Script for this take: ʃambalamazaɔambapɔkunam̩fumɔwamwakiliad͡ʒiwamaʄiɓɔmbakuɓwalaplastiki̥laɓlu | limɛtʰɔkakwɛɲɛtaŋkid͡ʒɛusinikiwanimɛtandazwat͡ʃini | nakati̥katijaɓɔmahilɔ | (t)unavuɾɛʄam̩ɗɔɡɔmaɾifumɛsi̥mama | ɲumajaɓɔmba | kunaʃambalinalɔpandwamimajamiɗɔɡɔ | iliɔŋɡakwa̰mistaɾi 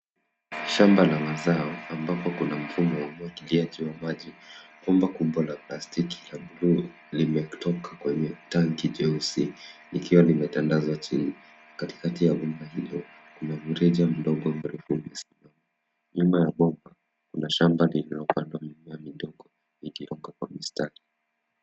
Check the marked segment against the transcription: incorrect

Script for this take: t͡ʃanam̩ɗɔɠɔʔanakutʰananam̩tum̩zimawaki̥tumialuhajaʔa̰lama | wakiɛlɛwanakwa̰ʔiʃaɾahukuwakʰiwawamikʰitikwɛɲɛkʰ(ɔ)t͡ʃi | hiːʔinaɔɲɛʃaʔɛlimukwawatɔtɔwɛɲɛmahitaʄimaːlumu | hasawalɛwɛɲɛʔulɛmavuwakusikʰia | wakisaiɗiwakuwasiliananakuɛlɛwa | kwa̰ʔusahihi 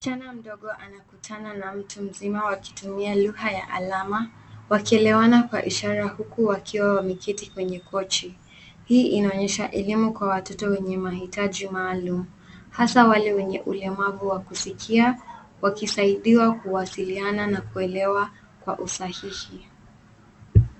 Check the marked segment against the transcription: correct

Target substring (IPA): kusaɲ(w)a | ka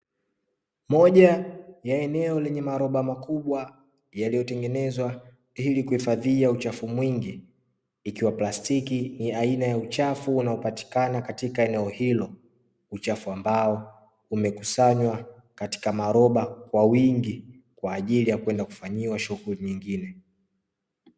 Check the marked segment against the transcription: correct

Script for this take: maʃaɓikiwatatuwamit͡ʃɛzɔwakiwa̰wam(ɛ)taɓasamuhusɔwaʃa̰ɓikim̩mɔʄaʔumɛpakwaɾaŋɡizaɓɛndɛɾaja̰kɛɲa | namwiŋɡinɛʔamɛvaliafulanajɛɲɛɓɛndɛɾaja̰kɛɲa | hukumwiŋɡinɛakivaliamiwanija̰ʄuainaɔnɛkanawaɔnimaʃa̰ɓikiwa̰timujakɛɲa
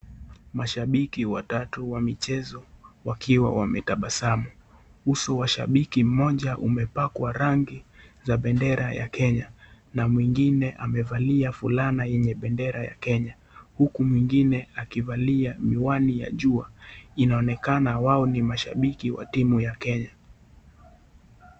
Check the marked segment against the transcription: correct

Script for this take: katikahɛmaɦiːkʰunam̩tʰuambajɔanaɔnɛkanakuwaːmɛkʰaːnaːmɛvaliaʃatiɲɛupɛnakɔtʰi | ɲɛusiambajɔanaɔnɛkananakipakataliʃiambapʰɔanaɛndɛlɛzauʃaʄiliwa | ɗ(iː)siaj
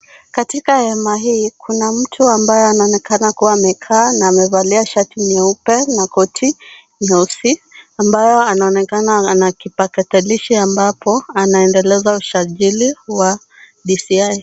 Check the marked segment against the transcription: incorrect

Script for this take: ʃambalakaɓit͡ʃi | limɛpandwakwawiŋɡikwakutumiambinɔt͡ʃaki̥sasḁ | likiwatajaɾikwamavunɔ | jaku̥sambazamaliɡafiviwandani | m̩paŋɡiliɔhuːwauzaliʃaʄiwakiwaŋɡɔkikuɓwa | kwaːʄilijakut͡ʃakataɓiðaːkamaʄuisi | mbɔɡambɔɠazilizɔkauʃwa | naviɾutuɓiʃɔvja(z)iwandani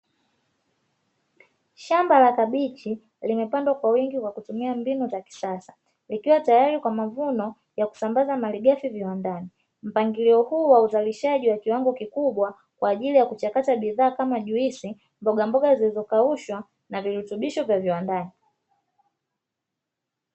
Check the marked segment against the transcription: incorrect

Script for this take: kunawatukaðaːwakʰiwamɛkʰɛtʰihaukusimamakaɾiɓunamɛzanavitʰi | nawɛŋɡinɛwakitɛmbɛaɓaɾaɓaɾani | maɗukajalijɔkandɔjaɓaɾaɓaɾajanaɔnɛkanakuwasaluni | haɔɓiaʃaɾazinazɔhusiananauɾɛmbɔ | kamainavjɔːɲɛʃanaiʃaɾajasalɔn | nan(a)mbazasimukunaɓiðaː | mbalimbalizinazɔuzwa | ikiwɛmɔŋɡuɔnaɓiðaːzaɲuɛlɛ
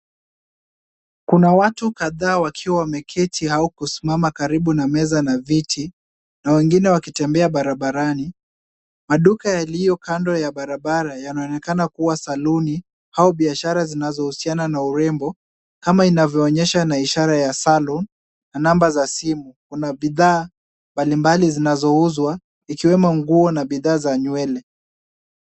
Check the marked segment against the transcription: correct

